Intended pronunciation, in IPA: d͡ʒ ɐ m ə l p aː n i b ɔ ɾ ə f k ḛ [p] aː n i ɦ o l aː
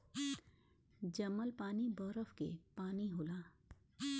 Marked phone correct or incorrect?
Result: correct